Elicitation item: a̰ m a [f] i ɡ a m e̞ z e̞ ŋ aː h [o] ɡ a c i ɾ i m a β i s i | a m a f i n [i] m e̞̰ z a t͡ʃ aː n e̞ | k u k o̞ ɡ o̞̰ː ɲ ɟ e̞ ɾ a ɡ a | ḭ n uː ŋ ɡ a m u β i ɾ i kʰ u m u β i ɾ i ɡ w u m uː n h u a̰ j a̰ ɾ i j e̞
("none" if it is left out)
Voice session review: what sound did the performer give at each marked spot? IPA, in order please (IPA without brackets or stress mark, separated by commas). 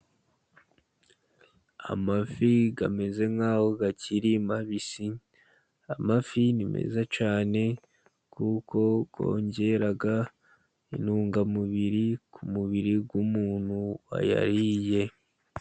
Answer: f, o, i